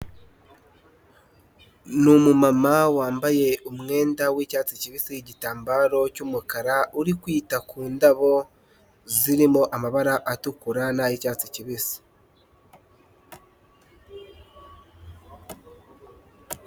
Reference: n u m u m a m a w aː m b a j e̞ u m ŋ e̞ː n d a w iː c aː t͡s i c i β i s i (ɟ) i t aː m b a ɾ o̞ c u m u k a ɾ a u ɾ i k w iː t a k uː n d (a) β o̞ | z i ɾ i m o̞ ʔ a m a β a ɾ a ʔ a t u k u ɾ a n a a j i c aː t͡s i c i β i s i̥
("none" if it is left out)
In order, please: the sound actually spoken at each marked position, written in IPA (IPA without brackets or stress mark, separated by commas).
ɟ, a